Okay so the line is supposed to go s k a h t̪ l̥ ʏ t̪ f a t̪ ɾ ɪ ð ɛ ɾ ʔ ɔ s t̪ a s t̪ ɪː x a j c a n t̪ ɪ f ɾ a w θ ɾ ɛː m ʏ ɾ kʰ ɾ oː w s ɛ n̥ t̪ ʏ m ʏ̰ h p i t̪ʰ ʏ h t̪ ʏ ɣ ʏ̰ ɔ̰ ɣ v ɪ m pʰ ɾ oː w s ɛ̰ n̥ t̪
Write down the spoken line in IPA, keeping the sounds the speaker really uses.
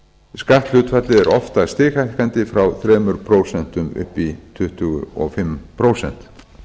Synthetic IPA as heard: s k a h t̪ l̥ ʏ t̪ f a t̪ l ɪ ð ɛ ɾ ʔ ɔ f t̪ a s t̪ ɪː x a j k a n t̪ ɪ f ɾ a w θ ɾ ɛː m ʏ ɾ pʰ ɾ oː w s ɛ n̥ t̪ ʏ m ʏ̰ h p i t̪ʰ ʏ h t̪ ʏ ɣ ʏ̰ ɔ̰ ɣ f ɪ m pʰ ɾ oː w s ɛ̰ n̥ t̪